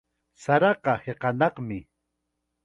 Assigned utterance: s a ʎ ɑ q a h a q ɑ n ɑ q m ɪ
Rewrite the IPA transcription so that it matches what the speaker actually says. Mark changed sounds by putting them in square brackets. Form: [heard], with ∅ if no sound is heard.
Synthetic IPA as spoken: s a [ɾ] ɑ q [ɑ] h [e] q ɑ n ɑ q m ɪ